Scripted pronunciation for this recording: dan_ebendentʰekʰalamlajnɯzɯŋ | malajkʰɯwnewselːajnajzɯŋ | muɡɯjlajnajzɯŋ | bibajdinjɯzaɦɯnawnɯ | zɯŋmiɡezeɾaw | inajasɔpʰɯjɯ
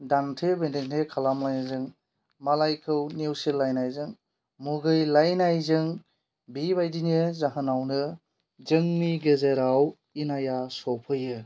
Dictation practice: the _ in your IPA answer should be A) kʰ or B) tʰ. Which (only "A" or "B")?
B